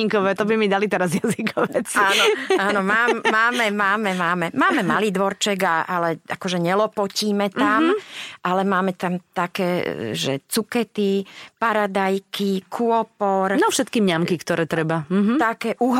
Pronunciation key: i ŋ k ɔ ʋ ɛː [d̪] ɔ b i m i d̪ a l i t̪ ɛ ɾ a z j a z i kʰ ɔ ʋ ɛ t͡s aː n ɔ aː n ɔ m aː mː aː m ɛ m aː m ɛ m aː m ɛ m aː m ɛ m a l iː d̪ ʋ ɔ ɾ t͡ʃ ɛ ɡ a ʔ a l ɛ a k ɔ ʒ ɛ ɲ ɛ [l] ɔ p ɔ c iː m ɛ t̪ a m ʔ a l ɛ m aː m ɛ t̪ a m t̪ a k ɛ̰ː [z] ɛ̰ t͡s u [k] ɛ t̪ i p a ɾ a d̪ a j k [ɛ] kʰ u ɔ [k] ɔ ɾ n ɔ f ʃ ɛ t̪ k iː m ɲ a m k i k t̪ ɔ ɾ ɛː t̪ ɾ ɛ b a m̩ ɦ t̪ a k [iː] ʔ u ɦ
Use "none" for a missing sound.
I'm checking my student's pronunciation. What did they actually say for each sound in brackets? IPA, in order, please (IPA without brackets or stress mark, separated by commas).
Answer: t̪, l, ʒ, k, i, p, ɛː